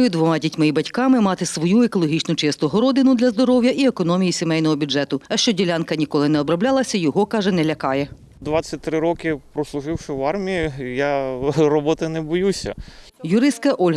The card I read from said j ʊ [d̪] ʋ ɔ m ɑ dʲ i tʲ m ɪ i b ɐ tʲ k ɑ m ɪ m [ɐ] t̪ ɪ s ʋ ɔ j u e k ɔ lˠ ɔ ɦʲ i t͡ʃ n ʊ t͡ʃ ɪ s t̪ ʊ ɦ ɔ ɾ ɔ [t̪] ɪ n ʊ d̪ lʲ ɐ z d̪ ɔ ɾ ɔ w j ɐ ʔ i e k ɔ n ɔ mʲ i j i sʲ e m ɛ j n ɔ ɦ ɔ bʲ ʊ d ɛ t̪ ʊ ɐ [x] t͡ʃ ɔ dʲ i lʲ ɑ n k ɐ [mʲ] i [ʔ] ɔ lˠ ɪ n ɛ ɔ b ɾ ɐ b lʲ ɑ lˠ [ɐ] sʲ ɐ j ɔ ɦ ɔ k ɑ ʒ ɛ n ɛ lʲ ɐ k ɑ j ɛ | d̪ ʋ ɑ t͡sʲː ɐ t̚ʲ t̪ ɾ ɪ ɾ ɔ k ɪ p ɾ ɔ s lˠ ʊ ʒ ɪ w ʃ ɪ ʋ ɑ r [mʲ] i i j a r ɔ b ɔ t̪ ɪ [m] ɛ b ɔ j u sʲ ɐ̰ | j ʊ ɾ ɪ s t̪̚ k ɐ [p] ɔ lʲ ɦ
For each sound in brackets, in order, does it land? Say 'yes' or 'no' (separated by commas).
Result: yes, no, no, no, no, no, yes, yes, no, no